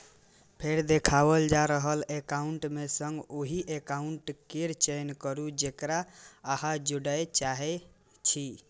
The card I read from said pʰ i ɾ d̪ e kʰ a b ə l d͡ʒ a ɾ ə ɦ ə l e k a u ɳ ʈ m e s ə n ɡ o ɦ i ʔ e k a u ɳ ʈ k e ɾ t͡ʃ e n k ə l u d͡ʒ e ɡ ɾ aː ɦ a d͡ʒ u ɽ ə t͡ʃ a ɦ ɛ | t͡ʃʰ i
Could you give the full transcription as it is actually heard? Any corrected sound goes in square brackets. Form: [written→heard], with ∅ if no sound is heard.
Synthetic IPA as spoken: pʰ [i→e] ɾ d̪ e kʰ a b ə l d͡ʒ a ɾ ə ɦ ə l e k a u ɳ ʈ m e s ə [n→ŋ] ɡ o ɦ i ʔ e k a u ɳ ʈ k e ɾ t͡ʃ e n k ə [l→ɾ] u d͡ʒ e [ɡ→k] ɾ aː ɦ a d͡ʒ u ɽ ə t͡ʃ a ɦ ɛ | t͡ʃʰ i